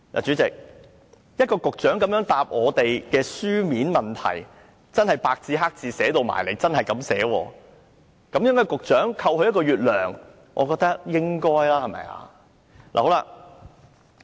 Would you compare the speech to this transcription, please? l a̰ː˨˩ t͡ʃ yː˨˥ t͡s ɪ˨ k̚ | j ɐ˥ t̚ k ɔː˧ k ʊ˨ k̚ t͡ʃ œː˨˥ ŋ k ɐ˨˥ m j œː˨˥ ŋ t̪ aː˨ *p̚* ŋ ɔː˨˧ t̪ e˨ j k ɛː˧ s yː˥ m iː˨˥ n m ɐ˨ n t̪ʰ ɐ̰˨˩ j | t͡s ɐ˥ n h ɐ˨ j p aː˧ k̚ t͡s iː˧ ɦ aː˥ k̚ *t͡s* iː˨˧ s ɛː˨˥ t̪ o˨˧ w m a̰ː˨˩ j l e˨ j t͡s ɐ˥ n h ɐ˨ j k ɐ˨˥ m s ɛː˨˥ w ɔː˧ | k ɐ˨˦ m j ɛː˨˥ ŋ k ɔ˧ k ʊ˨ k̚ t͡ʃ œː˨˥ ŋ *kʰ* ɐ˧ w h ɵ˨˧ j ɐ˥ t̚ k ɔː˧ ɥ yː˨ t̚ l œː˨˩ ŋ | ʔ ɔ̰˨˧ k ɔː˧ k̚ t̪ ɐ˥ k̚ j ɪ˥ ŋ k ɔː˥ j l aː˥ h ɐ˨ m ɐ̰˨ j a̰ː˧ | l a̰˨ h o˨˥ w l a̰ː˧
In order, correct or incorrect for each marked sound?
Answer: correct, correct, correct

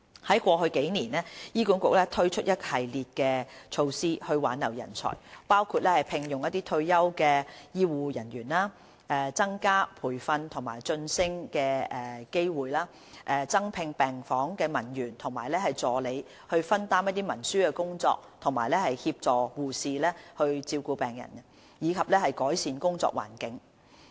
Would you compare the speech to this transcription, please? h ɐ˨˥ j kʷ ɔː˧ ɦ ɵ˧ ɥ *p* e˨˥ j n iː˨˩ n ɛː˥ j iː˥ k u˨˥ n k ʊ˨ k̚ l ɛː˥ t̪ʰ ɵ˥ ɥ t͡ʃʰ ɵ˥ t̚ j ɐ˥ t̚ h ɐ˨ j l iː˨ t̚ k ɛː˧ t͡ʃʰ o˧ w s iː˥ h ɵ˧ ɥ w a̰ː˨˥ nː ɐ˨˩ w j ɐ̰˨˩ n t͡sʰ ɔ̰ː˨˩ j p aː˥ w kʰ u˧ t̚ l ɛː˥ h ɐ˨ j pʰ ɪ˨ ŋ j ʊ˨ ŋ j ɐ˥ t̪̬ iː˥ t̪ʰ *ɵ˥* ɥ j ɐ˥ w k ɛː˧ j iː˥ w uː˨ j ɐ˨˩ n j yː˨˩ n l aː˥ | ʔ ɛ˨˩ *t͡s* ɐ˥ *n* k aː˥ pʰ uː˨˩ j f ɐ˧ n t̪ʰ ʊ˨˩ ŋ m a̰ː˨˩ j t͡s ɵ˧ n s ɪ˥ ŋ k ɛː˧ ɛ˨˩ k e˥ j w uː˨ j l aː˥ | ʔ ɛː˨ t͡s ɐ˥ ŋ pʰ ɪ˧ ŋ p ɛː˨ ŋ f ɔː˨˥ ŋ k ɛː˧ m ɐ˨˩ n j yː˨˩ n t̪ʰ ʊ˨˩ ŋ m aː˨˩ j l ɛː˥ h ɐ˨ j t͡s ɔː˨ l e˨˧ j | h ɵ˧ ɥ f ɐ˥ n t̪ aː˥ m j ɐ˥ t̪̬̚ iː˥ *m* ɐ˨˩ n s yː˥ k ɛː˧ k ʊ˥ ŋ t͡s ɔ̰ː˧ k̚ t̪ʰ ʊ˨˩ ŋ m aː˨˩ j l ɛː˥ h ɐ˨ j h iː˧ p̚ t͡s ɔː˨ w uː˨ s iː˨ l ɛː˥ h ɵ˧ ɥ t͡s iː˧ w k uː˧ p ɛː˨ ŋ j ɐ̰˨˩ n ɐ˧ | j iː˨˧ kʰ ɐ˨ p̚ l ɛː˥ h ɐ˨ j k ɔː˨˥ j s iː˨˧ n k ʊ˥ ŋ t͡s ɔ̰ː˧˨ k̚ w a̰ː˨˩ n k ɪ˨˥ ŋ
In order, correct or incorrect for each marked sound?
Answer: incorrect: k, incorrect: ɵ˧, correct, incorrect: ŋ, correct

